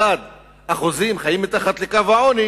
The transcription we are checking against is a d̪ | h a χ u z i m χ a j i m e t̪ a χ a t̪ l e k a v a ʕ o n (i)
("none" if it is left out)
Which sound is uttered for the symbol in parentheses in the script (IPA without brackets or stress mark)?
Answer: i